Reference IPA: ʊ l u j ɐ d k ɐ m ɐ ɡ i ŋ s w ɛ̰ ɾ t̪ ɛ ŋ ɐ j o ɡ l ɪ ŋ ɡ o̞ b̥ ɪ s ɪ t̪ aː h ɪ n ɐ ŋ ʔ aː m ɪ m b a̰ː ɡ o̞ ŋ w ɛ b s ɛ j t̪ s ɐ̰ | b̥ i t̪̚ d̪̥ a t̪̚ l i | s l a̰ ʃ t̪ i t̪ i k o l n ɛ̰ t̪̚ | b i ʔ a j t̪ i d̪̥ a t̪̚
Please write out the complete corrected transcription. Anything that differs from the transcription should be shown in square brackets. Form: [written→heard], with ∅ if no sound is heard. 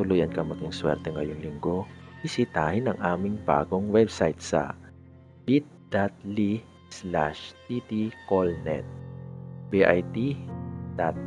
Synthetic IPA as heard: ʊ l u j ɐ [d→n] k ɐ m ɐ ɡ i ŋ s w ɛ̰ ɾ t̪ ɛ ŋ ɐ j o [ɡ→ŋ] l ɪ ŋ ɡ o̞ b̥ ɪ s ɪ t̪ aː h ɪ n ɐ ŋ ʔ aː m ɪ [m→ŋ] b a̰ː ɡ o̞ ŋ w ɛ b s [ɛ→a] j t̪ s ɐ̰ | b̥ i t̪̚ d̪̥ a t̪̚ l i | s l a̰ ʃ t̪ i t̪ i k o l n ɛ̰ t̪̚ | b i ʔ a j t̪ i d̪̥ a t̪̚